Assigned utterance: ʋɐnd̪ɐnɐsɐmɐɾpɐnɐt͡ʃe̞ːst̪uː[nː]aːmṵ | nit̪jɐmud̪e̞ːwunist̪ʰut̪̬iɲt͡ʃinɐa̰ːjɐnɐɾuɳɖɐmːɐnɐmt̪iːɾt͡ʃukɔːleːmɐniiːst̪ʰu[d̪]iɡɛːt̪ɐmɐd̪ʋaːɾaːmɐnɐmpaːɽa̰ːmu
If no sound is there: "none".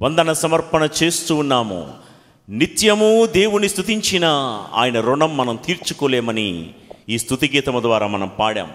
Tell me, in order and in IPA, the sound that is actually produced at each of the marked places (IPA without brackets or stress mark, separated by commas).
nː, t̪